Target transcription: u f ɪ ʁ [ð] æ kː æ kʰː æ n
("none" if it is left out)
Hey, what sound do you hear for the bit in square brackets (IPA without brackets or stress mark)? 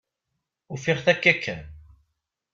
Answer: θ